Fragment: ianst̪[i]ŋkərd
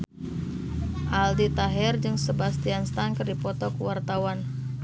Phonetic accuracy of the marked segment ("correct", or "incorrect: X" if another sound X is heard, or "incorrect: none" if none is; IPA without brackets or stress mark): incorrect: a